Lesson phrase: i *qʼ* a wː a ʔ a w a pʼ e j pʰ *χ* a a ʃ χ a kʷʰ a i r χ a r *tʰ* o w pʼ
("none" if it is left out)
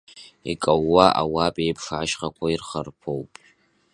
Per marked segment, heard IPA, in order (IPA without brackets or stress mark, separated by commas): kʼ, ʂ, pʰ